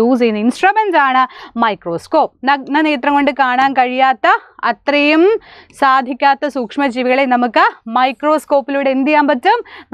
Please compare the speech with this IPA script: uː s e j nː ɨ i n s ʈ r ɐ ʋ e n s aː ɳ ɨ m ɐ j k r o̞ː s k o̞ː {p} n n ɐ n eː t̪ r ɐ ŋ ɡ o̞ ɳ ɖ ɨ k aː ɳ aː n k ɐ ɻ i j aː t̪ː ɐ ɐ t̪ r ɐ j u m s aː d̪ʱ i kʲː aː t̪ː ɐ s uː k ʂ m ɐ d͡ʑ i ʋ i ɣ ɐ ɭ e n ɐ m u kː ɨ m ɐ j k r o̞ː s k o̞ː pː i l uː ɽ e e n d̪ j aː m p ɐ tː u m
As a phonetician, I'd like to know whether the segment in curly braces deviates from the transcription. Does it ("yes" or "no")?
no